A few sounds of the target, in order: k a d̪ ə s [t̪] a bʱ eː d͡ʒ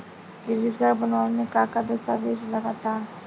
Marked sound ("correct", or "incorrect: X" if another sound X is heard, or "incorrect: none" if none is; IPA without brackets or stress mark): correct